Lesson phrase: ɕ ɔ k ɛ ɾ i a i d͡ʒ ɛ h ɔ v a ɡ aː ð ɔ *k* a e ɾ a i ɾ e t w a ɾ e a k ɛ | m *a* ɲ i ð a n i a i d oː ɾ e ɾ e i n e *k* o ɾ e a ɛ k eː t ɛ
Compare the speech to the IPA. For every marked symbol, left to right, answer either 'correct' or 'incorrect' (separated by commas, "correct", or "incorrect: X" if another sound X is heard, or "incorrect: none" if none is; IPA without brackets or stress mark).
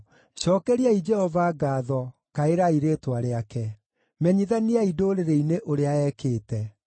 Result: correct, incorrect: ɛ, incorrect: ʔ